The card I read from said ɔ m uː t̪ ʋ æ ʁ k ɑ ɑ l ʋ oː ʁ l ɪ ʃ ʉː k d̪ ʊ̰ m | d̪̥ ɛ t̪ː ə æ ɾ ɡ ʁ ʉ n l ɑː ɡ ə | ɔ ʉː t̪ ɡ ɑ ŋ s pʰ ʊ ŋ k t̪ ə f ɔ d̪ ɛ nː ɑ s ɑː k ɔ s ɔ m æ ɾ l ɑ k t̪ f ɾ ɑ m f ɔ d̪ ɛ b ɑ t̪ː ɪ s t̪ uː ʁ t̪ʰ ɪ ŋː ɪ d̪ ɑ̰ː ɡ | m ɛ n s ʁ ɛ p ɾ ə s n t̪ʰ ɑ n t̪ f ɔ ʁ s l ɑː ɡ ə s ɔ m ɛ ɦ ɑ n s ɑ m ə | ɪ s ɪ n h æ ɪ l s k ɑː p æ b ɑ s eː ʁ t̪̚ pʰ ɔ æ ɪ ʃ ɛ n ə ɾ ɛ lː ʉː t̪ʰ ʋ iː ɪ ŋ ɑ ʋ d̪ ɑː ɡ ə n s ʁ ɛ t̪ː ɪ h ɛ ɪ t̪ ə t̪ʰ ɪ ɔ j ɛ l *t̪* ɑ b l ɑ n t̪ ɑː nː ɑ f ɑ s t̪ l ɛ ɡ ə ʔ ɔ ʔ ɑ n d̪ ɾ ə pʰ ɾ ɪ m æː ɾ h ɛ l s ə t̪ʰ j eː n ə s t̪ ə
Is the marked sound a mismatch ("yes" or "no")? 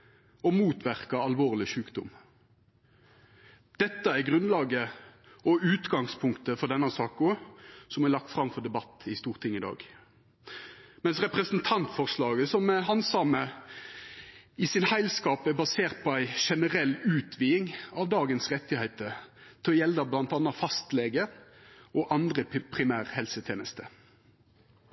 yes